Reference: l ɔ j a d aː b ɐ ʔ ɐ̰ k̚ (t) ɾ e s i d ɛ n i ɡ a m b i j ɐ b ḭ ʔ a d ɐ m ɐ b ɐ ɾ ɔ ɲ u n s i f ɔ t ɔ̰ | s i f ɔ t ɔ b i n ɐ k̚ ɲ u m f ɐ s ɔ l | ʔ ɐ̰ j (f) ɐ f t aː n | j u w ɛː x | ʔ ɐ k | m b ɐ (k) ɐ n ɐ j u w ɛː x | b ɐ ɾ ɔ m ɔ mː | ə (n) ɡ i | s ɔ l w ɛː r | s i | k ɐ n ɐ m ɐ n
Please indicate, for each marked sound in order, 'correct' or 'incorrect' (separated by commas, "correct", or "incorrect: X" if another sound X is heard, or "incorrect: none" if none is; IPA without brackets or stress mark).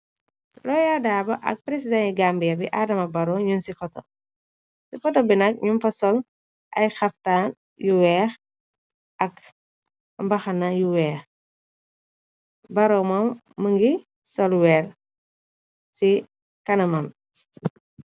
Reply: incorrect: p, incorrect: x, incorrect: x, incorrect: ŋ